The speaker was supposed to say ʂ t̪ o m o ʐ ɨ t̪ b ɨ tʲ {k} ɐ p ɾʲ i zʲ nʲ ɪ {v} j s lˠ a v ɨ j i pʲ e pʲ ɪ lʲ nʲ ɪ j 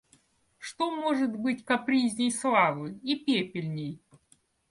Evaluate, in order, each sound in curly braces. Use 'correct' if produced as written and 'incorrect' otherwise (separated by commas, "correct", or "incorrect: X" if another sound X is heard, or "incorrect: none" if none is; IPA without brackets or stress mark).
correct, incorrect: none